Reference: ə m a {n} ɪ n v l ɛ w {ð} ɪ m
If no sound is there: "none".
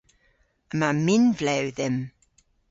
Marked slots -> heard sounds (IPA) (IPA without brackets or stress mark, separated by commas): m, ð